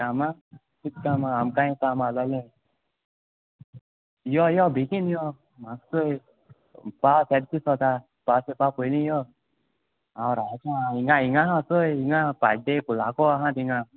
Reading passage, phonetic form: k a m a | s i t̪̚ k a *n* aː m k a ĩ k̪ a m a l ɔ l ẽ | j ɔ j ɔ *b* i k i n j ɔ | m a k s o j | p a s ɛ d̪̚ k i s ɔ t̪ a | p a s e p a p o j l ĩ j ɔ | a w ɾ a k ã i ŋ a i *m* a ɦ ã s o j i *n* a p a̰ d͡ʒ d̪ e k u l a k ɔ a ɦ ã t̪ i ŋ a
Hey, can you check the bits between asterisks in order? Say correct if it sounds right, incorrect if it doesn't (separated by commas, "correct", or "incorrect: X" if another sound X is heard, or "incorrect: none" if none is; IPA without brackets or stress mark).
incorrect: m, correct, incorrect: ŋ, incorrect: ŋ